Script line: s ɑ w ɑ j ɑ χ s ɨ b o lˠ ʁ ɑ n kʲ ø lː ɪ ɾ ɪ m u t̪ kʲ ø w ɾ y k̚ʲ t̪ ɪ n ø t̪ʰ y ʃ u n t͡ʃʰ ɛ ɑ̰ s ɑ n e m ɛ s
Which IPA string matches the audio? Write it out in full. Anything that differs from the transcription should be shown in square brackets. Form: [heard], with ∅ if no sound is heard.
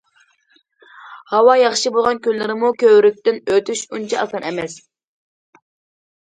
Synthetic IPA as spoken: [h] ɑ w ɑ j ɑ χ [ʃ] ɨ b o lˠ ʁ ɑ n kʲ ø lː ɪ ɾ ɪ m u [∅] kʲ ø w ɾ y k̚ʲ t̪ ɪ n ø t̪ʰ y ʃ u n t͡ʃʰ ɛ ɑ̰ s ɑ n [ɛ] m ɛ s